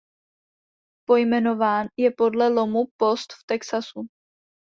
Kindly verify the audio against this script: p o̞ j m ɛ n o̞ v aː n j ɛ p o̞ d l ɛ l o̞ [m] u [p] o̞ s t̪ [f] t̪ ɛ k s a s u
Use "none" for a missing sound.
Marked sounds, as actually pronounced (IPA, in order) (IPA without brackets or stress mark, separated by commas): m, p, f